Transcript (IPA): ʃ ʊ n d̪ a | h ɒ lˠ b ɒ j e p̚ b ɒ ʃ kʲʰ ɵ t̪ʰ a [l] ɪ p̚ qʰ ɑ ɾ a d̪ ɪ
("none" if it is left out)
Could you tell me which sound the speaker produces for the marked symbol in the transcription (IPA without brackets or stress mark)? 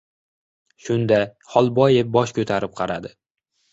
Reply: ɾ